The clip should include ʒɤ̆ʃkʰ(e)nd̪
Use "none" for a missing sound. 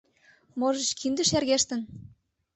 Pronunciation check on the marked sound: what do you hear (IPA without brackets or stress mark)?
i